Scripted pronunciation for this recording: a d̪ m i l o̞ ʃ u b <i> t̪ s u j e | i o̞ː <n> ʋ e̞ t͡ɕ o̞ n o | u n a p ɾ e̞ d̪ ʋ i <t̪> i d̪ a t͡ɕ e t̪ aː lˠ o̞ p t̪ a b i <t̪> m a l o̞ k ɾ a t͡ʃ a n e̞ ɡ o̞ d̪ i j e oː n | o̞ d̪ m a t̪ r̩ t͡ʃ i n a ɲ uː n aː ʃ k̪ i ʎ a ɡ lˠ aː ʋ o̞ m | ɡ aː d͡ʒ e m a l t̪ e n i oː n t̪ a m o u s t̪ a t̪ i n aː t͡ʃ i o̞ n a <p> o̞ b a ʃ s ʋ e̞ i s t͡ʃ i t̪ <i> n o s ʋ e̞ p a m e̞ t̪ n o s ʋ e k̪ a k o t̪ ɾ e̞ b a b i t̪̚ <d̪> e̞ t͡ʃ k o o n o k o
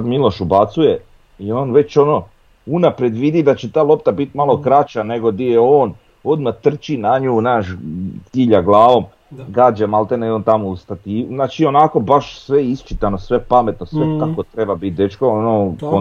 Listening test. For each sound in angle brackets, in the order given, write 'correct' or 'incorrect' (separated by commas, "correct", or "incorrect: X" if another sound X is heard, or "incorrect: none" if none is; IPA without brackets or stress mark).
incorrect: a, correct, incorrect: d̪, correct, incorrect: k, incorrect: a, correct